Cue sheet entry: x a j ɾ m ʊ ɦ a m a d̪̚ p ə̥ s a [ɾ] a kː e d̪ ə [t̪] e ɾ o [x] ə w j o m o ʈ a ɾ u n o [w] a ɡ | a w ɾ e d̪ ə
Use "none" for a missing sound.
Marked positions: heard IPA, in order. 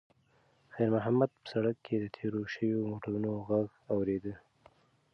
ɽ, t̪ʰ, ʃ, ɣ

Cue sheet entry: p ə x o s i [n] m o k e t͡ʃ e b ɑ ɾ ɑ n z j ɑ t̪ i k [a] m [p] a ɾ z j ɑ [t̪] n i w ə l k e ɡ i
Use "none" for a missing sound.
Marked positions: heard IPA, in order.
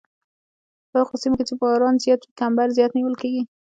none, a, b, t̪

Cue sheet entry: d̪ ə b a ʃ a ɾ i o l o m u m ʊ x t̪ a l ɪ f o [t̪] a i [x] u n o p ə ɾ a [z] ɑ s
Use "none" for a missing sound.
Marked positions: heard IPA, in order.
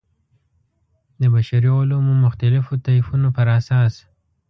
t̪, f, s

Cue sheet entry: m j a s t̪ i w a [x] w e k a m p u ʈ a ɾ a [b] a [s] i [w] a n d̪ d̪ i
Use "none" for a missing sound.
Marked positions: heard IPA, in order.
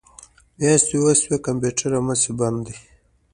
s, m, s, b

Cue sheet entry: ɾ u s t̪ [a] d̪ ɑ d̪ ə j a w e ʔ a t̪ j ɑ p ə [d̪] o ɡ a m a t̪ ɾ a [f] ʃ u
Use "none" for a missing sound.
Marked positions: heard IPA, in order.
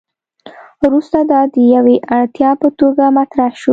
a, t̪, h

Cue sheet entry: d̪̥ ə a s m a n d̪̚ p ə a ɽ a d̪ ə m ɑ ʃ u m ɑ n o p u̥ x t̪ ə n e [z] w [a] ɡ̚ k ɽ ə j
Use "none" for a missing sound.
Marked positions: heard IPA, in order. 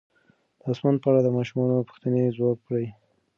z, ɑ

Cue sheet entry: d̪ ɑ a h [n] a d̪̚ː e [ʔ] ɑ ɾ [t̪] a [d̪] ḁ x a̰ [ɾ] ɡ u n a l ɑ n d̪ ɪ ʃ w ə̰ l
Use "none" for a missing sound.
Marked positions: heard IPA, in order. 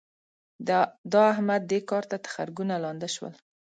m, k, t̪, t̪, ɾ

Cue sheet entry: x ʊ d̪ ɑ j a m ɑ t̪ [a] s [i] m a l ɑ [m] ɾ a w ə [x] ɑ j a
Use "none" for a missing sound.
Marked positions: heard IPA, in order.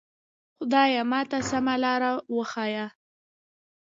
a, a, none, x

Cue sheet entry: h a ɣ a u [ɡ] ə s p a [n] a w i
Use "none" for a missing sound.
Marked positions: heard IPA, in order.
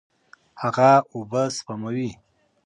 b, m

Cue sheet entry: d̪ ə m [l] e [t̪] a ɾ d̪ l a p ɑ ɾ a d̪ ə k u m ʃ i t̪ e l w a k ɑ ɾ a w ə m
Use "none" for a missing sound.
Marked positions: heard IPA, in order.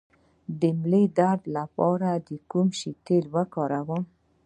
l, d̪

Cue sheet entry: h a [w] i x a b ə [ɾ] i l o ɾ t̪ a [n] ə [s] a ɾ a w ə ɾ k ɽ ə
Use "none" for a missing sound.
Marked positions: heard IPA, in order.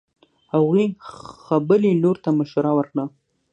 ɣ, l, m, ʃ

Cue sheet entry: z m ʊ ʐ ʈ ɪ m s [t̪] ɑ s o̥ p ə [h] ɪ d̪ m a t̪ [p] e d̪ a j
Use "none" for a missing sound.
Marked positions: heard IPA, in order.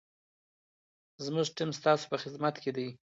t̪, x, k

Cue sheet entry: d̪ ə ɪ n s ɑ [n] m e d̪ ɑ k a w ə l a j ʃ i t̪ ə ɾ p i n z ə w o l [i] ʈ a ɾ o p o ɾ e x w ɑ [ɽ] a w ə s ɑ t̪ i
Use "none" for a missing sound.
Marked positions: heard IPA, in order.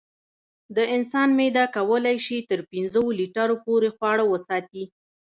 n, i, ɽ

